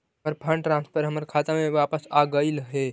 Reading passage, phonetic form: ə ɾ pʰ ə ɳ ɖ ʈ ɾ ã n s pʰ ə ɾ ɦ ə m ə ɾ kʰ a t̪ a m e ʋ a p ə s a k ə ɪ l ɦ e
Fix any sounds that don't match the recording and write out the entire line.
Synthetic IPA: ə ɾ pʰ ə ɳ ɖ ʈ ɾ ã n s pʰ ə ɾ ɦ ə m ə ɾ kʰ a t̪ a m e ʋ a p ə s a ɡ ə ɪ l ɦ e